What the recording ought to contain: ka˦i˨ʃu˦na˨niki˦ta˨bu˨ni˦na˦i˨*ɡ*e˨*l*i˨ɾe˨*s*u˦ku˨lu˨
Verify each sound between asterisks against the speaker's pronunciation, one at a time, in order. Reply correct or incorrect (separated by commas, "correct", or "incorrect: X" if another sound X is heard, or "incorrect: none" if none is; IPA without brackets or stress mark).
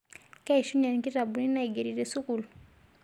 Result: correct, incorrect: ɾ, correct